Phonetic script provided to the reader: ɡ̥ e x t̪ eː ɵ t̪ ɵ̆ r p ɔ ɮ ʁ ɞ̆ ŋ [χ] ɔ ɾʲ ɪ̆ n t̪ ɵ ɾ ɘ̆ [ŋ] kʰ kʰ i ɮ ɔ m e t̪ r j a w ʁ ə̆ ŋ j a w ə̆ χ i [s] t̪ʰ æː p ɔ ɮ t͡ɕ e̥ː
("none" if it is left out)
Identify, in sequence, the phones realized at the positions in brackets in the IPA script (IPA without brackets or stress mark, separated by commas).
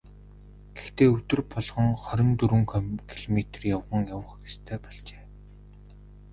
χ, ŋ, s